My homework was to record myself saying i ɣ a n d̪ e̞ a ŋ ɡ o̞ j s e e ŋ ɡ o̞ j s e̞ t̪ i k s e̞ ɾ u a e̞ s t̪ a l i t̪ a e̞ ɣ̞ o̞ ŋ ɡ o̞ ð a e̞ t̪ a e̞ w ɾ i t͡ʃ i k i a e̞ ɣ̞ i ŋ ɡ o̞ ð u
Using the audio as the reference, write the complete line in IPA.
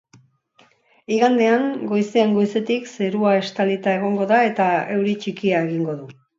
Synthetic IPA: i ɣ a n d̪ e̞ a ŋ ɡ o̞ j s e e ŋ ɡ o̞ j s e̞ t̪ i k s e̞ ɾ u a e̞ s t̪ a l i t̪ a e̞ ɣ̞ o̞ ŋ ɡ o̞ ð a e̞ t̪ a e̞ w ɾ i t͡ʃ i k i a e̞ ɣ̞ i ŋ ɡ o̞ ð u